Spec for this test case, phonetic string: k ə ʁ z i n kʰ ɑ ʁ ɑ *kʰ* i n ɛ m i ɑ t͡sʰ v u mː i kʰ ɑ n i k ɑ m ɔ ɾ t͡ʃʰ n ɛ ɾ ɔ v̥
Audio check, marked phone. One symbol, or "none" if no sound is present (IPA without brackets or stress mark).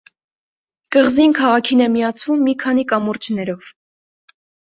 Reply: kʰ